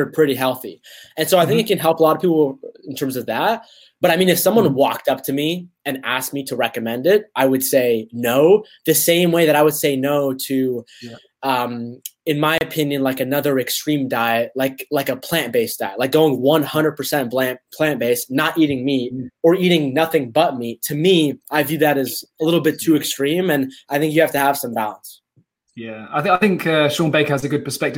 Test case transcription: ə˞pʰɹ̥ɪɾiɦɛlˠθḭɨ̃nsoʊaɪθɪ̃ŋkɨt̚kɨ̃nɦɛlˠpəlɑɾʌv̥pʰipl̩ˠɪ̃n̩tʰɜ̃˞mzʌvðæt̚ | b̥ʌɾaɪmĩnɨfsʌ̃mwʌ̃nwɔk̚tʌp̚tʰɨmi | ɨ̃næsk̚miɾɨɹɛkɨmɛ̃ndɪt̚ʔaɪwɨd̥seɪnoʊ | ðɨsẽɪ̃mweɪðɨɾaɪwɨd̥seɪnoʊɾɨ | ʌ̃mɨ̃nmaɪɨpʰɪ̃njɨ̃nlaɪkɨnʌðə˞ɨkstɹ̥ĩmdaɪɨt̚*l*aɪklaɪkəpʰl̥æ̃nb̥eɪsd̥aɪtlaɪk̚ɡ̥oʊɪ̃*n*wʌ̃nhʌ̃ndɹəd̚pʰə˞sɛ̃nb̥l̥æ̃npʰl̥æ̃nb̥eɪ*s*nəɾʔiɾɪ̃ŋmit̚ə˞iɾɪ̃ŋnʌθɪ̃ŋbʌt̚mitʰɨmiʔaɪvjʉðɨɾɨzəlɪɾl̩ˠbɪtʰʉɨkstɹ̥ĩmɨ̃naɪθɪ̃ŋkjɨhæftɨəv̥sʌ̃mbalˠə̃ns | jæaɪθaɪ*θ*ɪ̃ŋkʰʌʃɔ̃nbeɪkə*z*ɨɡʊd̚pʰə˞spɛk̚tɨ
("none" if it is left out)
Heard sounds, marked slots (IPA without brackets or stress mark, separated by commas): l, ŋ, s, θ, z